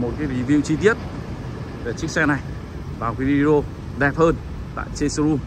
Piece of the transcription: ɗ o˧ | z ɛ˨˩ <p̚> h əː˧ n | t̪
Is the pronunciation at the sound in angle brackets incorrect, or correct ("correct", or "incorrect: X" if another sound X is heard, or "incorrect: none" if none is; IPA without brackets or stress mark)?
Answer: correct